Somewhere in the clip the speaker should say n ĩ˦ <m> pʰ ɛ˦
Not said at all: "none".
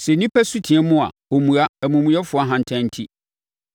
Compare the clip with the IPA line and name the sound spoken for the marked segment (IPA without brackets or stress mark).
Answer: none